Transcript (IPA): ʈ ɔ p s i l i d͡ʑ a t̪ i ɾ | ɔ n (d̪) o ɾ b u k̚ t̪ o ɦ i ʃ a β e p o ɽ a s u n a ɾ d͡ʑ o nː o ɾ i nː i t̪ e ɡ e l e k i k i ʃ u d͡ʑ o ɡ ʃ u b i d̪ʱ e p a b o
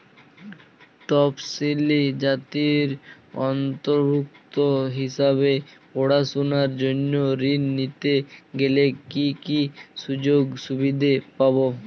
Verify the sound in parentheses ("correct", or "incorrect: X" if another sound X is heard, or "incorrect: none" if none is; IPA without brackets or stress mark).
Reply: incorrect: t̪